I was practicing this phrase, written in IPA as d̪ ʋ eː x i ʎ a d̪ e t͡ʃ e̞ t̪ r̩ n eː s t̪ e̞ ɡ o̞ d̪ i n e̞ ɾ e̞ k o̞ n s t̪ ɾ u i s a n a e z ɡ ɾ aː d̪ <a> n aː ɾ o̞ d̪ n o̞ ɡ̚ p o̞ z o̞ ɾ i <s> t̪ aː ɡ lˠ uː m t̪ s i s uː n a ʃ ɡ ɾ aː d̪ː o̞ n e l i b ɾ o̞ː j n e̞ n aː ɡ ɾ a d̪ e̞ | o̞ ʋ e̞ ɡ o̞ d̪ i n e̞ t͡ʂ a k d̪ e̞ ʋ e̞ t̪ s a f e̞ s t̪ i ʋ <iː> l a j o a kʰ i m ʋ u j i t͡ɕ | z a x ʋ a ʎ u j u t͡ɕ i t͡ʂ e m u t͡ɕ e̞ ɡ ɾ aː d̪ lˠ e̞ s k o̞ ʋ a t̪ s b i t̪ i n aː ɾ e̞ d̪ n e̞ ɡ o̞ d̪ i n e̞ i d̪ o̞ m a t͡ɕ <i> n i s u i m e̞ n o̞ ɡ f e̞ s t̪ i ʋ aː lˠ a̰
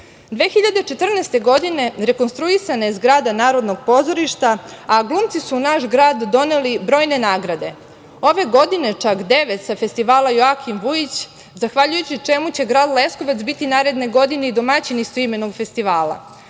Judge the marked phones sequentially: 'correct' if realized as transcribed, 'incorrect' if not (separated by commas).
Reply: correct, incorrect, incorrect, correct